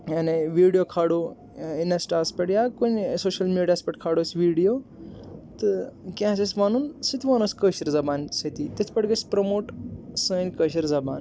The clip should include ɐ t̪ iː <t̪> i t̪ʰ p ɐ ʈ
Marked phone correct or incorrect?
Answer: correct